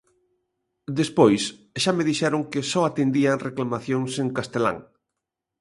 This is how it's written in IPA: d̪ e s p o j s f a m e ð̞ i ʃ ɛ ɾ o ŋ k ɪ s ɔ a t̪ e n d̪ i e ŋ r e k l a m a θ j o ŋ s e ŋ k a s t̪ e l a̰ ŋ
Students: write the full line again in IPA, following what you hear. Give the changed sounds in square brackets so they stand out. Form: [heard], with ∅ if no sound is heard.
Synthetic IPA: d̪ e s p o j s [ʃ] a m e ð̞ i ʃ ɛ ɾ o ŋ k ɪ s ɔ a t̪ e n d̪ i [a] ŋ r e k l a m a θ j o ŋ s e ŋ k a s t̪ e l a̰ ŋ